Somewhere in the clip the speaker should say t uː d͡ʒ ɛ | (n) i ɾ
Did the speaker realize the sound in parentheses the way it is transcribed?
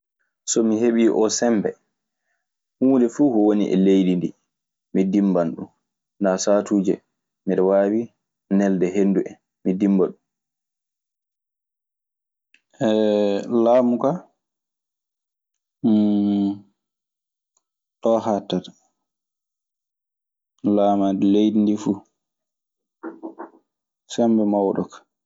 no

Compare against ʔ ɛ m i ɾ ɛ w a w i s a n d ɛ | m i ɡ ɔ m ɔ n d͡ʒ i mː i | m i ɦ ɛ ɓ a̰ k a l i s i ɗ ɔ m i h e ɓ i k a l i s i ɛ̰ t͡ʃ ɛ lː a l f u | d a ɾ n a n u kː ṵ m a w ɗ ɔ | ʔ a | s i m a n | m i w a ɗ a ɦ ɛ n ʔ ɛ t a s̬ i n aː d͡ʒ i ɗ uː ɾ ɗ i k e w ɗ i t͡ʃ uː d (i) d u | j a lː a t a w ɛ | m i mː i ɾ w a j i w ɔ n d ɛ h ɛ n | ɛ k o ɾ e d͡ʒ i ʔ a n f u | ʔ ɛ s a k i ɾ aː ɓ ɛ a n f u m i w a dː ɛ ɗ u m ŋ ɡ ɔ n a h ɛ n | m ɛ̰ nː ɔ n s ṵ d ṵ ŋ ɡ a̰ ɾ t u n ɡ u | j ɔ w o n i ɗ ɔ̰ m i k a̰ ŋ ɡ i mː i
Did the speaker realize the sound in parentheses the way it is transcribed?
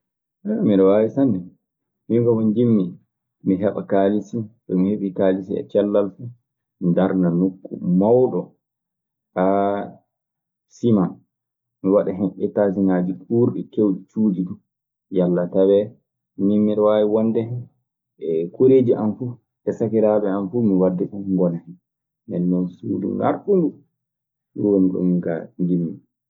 yes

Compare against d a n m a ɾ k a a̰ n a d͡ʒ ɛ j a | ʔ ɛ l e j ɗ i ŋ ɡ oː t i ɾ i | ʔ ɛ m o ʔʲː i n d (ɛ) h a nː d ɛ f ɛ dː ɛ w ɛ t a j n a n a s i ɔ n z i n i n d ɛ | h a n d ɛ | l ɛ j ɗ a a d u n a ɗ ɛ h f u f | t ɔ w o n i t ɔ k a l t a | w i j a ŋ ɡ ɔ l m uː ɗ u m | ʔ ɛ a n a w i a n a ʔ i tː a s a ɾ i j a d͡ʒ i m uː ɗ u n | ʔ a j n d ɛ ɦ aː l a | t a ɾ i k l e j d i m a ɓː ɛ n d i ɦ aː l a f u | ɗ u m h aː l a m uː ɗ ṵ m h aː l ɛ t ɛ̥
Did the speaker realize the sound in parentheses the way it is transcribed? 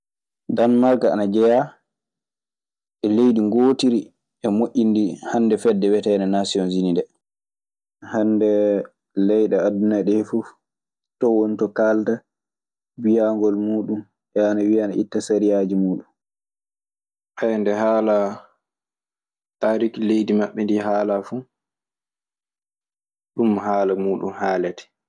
no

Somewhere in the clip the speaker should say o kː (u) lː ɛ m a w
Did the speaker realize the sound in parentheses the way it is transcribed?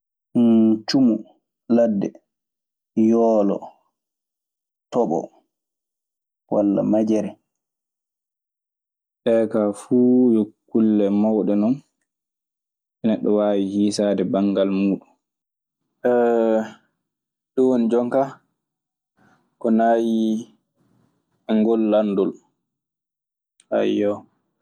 yes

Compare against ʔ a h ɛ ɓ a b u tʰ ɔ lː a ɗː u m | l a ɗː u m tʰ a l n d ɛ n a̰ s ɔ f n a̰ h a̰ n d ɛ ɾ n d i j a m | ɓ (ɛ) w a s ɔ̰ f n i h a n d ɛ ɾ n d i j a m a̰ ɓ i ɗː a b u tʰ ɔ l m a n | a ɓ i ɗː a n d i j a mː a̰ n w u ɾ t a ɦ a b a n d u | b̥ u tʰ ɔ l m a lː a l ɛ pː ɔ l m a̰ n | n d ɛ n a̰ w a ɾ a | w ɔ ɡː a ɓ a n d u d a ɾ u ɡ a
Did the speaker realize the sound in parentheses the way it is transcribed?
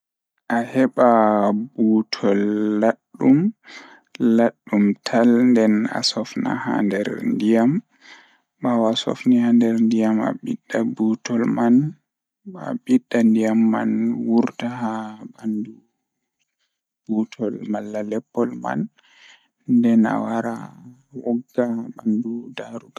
no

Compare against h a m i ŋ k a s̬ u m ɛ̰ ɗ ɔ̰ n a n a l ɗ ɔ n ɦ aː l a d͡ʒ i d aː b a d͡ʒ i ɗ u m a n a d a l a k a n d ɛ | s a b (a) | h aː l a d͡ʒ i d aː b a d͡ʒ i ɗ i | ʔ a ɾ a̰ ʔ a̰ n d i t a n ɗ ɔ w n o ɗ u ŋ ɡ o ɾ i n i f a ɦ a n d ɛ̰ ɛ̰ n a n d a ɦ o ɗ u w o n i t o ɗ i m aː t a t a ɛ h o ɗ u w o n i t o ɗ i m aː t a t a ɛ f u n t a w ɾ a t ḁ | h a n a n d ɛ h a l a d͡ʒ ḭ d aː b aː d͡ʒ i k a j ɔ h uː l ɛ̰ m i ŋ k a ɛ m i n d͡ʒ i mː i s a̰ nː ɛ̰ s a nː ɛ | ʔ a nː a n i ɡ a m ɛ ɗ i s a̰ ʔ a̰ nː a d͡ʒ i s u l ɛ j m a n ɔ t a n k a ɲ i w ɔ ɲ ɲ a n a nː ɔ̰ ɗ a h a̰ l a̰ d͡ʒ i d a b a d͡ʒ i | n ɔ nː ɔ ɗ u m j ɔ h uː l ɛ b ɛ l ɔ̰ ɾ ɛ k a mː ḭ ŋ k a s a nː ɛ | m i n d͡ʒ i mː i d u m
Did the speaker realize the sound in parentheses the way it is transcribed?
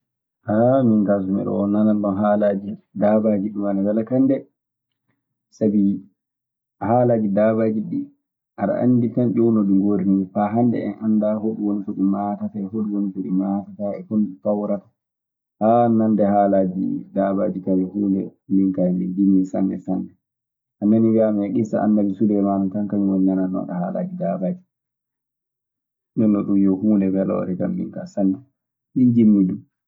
no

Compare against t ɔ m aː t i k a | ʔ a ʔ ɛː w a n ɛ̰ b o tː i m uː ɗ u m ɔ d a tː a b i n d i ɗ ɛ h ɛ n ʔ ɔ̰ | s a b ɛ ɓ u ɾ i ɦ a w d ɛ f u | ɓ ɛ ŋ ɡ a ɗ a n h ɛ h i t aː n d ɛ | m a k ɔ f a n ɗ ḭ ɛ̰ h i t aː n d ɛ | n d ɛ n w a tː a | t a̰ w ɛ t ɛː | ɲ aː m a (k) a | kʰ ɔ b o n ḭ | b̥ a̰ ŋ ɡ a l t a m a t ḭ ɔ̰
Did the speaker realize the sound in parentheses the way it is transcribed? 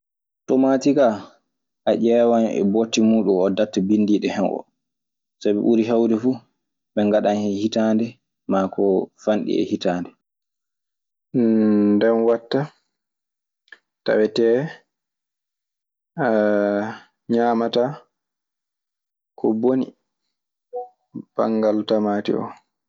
no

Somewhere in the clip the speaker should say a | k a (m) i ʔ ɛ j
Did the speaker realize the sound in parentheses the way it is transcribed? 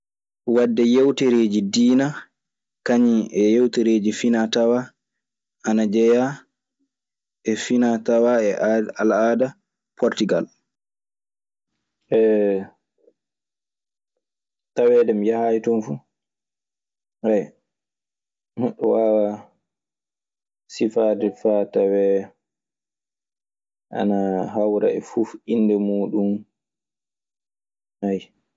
no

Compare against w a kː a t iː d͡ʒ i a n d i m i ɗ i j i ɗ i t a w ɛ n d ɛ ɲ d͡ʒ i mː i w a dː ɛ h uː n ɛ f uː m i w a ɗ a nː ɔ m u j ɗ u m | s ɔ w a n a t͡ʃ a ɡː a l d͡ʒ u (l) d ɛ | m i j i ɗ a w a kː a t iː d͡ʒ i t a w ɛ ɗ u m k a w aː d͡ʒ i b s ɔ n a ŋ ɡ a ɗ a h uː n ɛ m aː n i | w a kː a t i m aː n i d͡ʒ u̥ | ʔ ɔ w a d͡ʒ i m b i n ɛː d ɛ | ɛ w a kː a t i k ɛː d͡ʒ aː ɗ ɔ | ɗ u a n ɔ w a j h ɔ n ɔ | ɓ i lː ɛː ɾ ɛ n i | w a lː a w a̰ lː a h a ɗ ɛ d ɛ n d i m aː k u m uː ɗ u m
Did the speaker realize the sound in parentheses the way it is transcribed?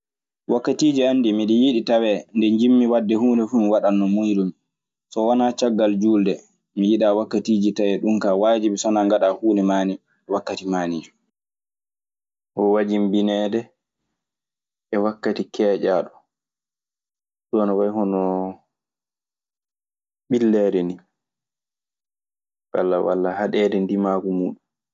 yes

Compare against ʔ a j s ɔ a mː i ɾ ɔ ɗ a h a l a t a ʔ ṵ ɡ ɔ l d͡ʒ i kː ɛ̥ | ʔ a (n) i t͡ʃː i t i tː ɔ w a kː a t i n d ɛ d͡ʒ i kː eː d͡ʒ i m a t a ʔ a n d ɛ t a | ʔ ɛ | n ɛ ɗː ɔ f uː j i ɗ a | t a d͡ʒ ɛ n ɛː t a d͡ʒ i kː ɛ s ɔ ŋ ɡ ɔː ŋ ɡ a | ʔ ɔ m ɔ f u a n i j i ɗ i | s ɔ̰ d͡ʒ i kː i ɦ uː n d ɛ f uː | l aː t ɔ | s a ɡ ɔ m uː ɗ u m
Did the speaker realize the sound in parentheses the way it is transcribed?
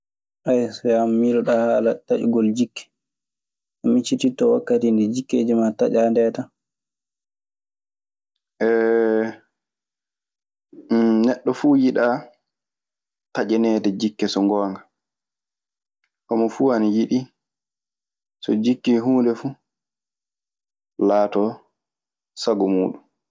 no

